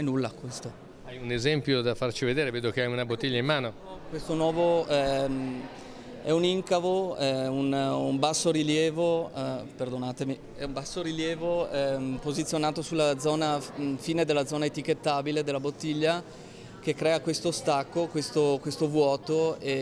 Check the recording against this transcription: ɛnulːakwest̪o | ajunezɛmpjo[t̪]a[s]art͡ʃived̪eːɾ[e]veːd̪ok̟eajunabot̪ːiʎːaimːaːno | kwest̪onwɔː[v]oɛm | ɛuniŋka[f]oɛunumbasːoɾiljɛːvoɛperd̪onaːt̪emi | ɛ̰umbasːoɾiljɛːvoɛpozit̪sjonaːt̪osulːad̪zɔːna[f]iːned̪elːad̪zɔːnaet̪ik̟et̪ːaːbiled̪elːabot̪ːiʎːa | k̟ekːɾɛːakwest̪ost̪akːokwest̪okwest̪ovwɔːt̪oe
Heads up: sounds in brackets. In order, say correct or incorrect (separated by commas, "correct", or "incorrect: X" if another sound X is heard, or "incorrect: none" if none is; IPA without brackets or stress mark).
incorrect: d̪, incorrect: f, correct, correct, incorrect: v, correct